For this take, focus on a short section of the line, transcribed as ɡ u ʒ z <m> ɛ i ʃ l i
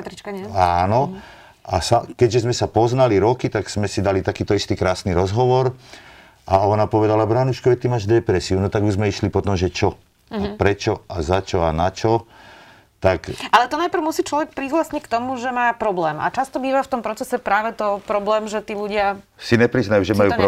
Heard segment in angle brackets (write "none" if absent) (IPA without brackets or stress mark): m